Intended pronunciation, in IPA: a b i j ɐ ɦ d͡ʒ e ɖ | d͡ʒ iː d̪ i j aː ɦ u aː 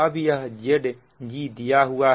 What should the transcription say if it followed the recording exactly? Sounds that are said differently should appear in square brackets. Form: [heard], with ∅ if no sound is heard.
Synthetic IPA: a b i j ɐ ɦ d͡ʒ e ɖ | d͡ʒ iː d̪ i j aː ɦ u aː

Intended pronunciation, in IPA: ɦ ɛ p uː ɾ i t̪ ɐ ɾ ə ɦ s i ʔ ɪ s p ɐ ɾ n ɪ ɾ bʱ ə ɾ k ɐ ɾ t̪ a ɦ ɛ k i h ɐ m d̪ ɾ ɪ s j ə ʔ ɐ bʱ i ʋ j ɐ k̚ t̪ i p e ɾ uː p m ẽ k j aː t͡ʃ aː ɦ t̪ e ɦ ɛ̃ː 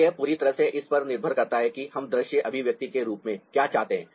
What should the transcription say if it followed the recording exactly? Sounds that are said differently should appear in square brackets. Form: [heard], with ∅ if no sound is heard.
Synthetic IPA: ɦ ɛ p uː ɾ i t̪ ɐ ɾ ə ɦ s [e] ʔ ɪ s p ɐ ɾ n ɪ ɾ bʱ ə ɾ k ɐ ɾ t̪ a ɦ ɛ k i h ɐ m d̪ ɾ ɪ [ʃ] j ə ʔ ɐ bʱ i ʋ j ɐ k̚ t̪ i [k] e ɾ uː p m ẽ k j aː t͡ʃ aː ɦ t̪ e ɦ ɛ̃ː

